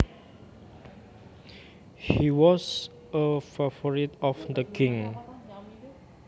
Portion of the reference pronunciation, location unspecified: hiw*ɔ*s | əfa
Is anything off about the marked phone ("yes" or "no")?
no